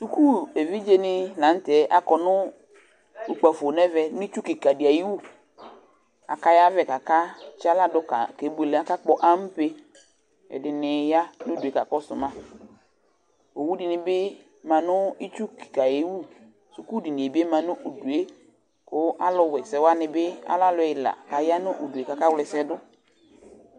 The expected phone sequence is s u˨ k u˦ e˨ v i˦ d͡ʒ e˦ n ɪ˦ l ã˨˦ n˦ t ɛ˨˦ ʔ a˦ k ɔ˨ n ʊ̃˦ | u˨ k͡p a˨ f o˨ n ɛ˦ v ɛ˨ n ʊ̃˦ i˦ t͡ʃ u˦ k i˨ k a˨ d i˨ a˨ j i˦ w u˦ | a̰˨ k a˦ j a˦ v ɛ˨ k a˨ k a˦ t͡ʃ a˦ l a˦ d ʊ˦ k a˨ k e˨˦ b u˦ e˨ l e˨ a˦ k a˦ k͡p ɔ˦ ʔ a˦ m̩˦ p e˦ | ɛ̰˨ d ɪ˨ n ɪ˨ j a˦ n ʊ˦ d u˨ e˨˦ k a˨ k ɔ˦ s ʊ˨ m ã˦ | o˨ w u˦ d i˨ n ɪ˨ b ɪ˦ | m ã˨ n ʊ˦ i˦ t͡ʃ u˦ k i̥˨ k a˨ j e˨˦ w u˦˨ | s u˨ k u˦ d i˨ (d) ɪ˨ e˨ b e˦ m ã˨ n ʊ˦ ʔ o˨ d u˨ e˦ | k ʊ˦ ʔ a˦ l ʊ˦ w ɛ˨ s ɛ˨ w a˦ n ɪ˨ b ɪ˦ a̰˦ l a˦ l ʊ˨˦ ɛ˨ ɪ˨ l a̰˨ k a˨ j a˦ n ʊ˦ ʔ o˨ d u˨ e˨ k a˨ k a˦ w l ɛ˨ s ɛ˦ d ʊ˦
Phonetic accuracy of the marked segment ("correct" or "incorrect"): incorrect